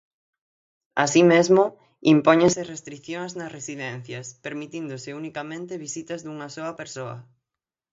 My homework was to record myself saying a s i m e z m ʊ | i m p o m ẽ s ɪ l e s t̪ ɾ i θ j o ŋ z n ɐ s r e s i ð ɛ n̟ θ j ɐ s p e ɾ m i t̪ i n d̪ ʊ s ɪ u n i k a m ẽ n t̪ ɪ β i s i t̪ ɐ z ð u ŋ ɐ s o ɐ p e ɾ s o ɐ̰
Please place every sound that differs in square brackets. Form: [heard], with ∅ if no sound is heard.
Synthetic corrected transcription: a s i m e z m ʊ | i m p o [ɲ] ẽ s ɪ [r] e s t̪ ɾ i θ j o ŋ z n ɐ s r e s i ð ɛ n̟ θ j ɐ s p e ɾ m i t̪ i n d̪ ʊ s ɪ u n i k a m ẽ n t̪ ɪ β i s i t̪ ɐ z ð u ŋ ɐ s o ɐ p e ɾ s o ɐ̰